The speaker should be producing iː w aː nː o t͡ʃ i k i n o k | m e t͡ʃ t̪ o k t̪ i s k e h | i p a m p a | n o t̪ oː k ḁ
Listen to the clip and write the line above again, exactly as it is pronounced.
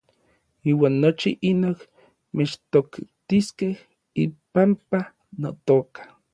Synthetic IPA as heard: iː w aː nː o t͡ʃ i ʔ i n o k | m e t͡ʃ t̪ o k t̪ i s k e h | i p a m p a | n o t̪ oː k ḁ